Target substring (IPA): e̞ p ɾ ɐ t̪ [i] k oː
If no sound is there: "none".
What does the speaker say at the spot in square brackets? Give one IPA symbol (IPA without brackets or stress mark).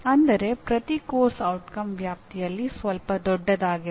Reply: i